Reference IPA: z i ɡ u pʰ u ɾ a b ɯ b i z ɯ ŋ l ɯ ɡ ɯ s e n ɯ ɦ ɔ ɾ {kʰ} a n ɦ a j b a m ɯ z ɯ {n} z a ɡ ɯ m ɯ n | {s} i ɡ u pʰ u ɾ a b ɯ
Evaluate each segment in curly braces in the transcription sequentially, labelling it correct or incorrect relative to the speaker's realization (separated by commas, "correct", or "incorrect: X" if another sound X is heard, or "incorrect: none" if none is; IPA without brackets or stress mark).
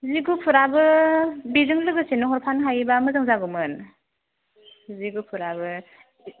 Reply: incorrect: pʰ, incorrect: ŋ, incorrect: z